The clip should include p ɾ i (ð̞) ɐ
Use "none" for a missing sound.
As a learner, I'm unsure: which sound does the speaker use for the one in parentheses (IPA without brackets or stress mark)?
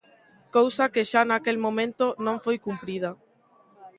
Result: ð̞